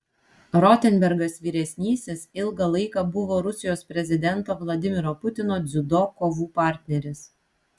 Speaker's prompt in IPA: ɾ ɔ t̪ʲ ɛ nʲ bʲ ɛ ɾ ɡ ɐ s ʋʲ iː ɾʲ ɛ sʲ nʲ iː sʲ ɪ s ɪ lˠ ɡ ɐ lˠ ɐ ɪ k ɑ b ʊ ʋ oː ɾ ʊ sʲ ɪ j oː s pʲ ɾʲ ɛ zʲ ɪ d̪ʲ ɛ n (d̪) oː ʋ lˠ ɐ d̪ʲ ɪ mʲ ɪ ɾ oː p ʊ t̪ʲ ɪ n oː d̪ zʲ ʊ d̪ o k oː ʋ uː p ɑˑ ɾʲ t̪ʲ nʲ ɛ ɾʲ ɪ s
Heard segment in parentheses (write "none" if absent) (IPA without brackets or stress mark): t̪